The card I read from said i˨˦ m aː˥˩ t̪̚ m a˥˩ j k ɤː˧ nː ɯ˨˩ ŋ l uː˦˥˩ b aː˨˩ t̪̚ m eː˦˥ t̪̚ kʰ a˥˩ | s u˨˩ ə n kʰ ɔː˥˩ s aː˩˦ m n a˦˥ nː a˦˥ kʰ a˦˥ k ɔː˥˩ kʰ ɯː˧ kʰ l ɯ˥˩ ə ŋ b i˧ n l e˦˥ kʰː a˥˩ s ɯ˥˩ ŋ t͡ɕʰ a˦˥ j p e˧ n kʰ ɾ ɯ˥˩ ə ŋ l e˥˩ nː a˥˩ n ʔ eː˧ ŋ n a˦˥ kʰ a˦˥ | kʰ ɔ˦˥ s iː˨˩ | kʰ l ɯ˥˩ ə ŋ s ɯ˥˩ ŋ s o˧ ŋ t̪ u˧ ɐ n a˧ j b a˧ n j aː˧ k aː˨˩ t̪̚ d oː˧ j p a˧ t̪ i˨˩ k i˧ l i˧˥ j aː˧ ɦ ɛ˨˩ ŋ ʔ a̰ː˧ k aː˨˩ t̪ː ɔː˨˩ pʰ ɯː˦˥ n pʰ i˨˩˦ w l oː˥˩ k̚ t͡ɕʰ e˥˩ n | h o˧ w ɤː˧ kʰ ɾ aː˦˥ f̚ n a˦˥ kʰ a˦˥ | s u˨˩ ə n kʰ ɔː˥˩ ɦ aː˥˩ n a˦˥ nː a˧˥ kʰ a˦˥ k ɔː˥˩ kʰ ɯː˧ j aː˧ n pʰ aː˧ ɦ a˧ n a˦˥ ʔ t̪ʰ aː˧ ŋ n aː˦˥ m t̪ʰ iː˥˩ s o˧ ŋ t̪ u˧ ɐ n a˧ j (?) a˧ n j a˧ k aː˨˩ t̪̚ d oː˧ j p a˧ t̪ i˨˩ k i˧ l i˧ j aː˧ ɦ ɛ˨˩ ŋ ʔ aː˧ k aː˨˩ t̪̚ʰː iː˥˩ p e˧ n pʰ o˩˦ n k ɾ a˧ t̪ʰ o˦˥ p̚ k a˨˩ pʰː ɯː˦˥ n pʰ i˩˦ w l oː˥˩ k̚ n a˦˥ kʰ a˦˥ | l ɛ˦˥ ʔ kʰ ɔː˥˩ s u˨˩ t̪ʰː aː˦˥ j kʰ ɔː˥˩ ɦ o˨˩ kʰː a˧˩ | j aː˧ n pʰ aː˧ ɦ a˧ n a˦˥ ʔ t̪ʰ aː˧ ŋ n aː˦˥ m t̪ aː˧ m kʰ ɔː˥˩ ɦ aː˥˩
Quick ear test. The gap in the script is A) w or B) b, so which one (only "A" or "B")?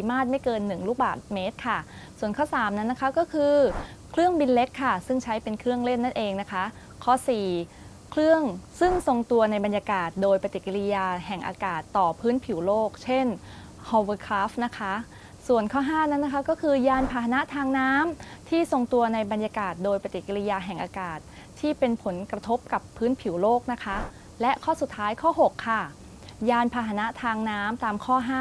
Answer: B